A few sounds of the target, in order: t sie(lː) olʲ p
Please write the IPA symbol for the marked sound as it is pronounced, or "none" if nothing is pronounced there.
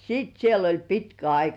l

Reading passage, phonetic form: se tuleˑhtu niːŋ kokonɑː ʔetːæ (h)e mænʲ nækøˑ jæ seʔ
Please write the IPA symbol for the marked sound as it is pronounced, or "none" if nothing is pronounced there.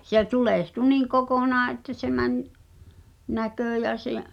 s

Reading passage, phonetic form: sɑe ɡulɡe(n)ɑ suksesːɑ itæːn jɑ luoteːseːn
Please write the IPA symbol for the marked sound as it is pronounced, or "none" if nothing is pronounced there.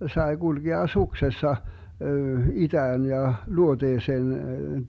none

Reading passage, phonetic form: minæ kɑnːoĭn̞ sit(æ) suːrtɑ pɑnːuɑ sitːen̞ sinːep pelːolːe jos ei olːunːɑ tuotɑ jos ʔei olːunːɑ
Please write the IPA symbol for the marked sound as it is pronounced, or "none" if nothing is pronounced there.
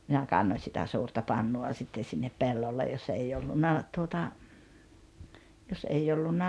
æ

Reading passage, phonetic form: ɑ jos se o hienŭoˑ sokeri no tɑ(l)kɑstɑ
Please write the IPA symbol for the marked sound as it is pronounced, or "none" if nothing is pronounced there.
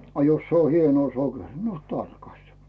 r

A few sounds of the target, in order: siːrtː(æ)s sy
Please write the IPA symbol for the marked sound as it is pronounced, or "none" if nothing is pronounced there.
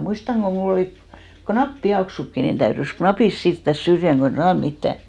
æ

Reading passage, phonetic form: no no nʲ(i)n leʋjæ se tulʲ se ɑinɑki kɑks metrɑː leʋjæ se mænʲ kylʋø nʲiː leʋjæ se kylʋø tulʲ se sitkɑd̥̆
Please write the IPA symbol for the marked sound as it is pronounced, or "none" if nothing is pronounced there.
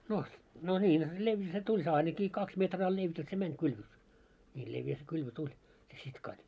iː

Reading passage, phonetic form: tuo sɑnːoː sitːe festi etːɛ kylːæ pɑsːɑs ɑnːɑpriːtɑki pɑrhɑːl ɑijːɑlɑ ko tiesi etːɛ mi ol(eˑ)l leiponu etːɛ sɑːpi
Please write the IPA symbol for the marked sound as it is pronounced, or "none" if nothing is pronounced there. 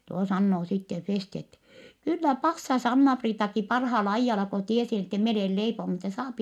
eˑ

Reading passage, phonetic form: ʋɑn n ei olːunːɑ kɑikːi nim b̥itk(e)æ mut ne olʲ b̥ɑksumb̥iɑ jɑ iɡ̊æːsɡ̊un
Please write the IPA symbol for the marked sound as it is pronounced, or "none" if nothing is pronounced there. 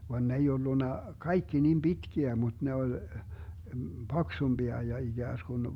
i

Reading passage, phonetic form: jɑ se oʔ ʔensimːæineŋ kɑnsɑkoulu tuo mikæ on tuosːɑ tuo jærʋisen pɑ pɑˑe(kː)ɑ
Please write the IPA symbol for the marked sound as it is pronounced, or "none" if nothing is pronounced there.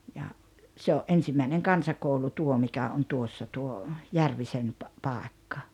kː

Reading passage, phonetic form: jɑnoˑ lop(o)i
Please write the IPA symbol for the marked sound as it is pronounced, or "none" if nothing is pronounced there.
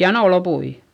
u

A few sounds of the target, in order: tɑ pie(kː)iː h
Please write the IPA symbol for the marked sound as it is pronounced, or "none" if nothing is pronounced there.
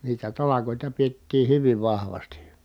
tː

